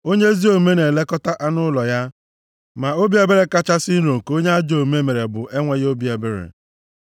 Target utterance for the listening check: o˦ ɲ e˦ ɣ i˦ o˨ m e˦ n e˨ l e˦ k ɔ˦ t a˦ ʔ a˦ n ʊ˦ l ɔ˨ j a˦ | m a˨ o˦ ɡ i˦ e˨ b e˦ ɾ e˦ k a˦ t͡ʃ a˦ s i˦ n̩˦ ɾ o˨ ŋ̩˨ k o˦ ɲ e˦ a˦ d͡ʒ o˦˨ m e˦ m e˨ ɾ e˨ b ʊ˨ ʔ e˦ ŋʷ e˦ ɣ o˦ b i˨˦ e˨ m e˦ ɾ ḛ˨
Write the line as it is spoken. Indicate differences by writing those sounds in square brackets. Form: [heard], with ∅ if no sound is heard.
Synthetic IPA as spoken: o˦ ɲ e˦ [z] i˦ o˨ m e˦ n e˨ l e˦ k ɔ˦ t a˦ ʔ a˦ n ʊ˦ l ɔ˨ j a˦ | m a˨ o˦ [b] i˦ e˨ b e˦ ɾ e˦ k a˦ t͡ʃ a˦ s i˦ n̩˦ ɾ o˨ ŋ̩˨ k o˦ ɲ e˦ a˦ d͡ʒ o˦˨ m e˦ m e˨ ɾ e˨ b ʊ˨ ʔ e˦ ŋʷ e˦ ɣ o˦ b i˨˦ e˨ [b] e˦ ɾ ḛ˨